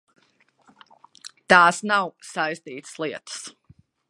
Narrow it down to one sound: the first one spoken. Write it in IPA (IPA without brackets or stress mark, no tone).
t̪